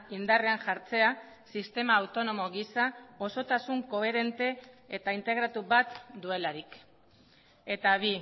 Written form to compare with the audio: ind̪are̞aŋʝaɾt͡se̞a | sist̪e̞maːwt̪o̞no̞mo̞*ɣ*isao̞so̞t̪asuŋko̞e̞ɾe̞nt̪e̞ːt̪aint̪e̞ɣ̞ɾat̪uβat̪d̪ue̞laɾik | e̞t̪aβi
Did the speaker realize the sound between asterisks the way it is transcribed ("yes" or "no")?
yes